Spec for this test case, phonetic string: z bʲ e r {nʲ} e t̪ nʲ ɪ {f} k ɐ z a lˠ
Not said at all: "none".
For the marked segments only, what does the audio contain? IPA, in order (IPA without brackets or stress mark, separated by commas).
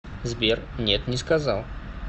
nʲ, s